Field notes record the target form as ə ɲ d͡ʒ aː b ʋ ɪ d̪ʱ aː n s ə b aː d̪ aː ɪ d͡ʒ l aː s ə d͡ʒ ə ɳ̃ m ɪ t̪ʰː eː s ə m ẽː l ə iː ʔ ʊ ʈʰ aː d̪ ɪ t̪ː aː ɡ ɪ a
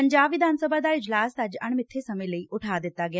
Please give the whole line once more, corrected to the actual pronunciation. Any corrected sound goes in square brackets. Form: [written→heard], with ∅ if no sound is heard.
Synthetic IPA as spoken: ə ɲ d͡ʒ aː b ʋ ɪ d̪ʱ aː n s ə b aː d̪ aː ɪ d͡ʒ l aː s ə d͡ʒ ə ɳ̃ m ɪ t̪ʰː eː s ə m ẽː l ə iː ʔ ʊ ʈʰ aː d̪ ɪ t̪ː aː ɡ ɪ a